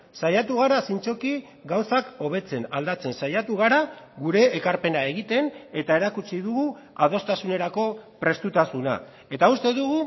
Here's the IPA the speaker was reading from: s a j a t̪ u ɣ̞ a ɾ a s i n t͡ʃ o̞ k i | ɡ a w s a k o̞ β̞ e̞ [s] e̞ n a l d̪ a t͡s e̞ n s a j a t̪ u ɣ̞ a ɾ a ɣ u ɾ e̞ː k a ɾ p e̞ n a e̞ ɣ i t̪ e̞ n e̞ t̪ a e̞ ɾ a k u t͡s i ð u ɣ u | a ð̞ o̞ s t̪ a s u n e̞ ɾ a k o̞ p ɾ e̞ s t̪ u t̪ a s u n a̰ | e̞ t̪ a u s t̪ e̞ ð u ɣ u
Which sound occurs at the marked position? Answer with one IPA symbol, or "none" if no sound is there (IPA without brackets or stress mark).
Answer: t͡s